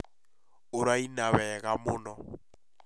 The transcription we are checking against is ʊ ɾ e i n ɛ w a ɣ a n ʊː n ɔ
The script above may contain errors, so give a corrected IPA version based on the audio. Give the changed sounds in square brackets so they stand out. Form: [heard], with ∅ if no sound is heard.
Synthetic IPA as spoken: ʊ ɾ [a] i n [a] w [ɛ] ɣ a [m] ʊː n ɔ